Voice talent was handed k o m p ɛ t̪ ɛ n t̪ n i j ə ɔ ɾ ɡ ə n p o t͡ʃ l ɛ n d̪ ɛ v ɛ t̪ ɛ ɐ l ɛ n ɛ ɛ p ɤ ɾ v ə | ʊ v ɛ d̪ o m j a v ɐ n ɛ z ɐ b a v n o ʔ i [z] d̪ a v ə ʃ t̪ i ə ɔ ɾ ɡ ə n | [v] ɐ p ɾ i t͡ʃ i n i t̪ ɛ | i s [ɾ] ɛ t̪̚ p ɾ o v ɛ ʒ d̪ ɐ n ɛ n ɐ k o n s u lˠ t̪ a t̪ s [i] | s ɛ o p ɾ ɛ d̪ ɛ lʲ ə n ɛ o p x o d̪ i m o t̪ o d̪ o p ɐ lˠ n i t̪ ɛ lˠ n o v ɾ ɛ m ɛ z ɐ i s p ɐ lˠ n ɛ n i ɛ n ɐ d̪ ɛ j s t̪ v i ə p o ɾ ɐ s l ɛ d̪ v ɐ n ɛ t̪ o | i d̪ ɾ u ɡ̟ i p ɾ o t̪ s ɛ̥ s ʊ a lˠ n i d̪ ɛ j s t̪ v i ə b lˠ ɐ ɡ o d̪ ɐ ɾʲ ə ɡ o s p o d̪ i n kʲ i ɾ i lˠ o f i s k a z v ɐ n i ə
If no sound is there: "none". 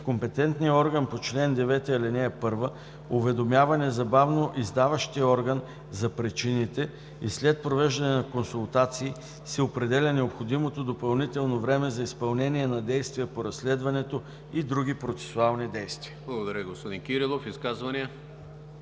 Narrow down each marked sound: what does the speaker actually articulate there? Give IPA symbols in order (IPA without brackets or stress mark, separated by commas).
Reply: z, z, l, iː